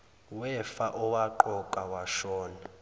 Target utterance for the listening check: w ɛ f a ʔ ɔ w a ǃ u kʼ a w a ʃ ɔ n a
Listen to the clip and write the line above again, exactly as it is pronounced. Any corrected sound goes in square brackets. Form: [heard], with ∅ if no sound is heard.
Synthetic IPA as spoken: w ɛ f a ʔ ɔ w a ǃ [ɔ] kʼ a w a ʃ [ɔː] n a